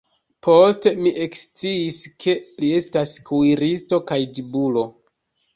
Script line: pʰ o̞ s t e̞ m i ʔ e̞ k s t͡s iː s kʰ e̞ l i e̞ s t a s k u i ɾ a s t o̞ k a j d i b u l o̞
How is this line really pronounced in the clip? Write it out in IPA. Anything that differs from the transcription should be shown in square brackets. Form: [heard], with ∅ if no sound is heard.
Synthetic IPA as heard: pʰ o̞ s t e̞ m i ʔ e̞ k s t͡s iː s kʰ e̞ l i e̞ s t a s k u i ɾ [i] s t o̞ k a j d i b u l o̞